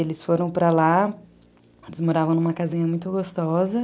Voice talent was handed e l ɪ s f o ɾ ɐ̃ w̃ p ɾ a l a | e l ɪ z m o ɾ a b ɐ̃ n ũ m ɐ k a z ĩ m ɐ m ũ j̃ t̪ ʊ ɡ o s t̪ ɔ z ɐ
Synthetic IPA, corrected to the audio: e l ɪ s f o ɾ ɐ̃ w̃ p ɾ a l a | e l ɪ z m o ɾ a v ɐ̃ n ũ m ɐ k a z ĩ ɲ ɐ m ũ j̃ t̪ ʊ ɡ o s t̪ ɔ z ɐ

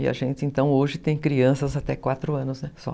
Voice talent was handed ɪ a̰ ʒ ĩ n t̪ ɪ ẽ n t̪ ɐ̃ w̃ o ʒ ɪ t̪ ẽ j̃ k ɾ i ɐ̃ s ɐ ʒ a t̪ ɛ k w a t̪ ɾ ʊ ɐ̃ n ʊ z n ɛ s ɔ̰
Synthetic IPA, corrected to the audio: ɪ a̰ ʒ ẽ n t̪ ɪ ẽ n t̪ ɐ̃ w̃ o ʒ ɪ t̪ ẽ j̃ k ɾ i ɐ̃ s ɐ z a t̪ ɛ k w a t̪ ɾ ʊ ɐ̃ n ʊ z n ɛ s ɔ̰

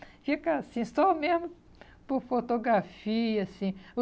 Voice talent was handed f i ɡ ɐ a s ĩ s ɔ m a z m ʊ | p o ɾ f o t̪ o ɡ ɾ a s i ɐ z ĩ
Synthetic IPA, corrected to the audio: f i k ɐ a s ĩ s ɔ m e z m ʊ | p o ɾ f o t̪ o ɡ ɾ a f i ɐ s ĩ

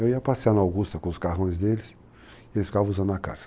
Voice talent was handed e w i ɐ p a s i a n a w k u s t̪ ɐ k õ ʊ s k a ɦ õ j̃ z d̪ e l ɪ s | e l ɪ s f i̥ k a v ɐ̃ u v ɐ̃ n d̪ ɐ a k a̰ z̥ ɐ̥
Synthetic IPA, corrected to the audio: e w i ɐ p a s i a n a w ɡ u s t̪ ɐ k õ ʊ s k a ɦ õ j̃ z d̪ e l ɪ s | e l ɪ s f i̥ k a v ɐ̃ u z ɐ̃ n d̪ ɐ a k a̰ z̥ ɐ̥

